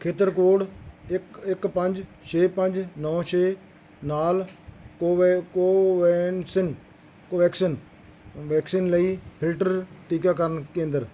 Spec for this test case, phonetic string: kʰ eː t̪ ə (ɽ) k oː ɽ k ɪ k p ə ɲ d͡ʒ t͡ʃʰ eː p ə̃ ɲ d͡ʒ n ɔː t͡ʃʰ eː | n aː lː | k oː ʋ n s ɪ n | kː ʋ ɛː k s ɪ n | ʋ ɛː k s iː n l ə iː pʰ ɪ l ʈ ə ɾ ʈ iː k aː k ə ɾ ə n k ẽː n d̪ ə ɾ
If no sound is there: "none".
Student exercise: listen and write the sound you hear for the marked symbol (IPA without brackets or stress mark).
ɾ